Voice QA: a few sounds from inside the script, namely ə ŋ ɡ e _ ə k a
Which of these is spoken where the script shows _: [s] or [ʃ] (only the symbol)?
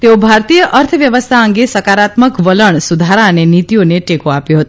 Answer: s